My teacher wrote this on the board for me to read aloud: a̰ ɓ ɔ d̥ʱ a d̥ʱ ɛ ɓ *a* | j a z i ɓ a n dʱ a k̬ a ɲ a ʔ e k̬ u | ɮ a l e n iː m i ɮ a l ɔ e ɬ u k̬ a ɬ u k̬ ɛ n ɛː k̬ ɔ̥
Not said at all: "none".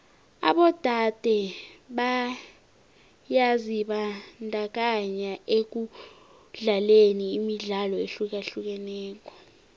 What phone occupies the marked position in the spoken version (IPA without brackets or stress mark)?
a